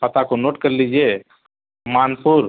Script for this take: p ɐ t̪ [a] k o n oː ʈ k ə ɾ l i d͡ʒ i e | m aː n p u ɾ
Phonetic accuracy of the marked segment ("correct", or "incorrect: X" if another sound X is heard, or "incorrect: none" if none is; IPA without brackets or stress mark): correct